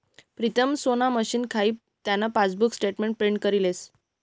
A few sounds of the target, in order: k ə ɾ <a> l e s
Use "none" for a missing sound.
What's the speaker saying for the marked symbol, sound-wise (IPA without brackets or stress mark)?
i